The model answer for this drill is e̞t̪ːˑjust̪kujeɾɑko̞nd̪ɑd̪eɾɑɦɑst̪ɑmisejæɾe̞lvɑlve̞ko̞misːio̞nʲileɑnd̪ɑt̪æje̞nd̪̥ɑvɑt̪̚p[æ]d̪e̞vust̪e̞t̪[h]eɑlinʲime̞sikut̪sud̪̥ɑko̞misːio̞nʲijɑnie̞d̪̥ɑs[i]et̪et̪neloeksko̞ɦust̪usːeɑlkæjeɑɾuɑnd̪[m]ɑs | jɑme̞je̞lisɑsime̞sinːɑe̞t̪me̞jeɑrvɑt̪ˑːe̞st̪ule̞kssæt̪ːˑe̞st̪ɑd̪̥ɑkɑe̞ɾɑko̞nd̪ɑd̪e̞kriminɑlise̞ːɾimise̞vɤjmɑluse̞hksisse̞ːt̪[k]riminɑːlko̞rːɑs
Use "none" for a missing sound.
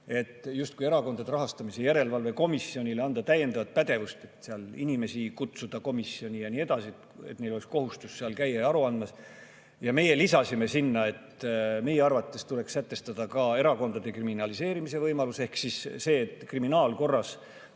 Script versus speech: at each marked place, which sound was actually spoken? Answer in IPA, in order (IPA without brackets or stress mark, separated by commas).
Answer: æ, s, i, m, k